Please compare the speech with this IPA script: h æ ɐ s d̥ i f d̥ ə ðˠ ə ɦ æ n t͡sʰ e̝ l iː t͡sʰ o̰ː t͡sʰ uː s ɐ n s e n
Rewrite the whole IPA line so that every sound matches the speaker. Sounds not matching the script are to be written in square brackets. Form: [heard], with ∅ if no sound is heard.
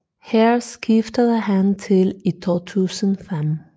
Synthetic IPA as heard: h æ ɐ s [ɡ̥] i f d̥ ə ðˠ ə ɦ æ n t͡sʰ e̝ l [i] t͡sʰ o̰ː t͡sʰ uː s [ə] n [f] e [m]